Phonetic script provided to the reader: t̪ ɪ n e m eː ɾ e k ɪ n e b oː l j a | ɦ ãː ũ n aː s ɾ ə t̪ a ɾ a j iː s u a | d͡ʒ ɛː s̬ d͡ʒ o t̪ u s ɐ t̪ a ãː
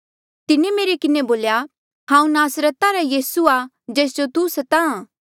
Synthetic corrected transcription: t̪ ɪ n e m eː ɾ e k ɪ n e b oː l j a | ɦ ãː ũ n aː s ɾ ə t̪ a ɾ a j iː s u a | d͡ʒ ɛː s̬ d͡ʒ o t̪ u s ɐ t̪ a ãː